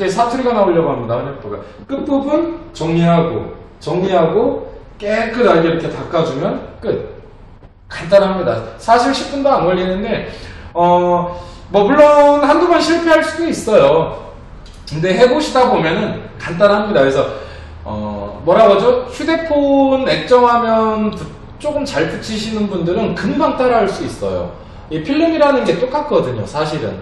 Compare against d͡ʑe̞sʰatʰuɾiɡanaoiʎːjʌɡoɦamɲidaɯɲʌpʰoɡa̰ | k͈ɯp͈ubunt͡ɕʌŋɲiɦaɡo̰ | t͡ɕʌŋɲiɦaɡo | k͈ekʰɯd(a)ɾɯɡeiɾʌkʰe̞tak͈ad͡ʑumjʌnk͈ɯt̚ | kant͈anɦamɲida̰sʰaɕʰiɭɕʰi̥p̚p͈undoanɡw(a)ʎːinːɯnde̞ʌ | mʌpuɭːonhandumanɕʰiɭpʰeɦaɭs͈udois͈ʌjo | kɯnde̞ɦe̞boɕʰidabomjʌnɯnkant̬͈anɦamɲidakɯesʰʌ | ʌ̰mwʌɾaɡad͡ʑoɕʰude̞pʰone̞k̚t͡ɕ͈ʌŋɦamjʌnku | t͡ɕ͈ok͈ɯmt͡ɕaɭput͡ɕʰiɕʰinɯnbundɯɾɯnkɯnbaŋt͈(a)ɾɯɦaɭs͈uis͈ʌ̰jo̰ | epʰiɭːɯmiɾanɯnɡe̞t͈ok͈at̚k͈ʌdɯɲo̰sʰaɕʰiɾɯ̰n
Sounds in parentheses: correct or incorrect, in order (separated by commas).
correct, incorrect, correct